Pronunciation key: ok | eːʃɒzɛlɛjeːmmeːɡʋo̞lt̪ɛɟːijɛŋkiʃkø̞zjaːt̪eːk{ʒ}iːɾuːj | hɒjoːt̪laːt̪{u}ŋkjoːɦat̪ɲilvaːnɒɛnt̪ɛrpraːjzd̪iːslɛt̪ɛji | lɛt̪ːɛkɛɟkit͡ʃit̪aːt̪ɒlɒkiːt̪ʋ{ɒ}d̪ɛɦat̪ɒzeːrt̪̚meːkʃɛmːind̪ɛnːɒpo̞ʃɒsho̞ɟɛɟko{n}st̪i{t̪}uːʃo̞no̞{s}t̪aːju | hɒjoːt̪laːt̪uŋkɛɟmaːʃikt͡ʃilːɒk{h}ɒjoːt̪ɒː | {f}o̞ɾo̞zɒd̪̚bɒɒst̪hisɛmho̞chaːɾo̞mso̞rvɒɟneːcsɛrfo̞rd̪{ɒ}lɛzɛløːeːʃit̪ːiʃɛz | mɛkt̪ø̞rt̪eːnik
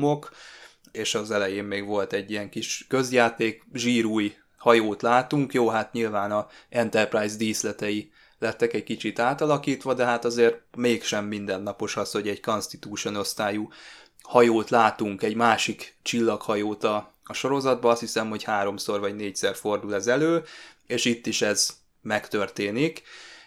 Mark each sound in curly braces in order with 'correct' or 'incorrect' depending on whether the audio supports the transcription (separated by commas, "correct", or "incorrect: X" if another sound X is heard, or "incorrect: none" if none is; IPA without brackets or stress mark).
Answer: correct, correct, correct, correct, correct, correct, correct, incorrect: ʃ, incorrect: u